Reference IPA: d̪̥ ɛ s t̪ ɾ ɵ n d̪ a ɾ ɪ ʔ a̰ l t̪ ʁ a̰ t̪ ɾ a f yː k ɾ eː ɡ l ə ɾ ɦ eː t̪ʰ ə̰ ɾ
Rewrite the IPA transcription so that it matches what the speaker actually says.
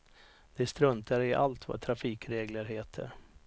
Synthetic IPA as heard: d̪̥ ɛ s t̪ ɾ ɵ n t̪ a ɾ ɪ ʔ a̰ l t̪ v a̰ t̪ʰ ɾ a f iː k ɾ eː ɡ l ə ɾ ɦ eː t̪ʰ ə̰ ɾ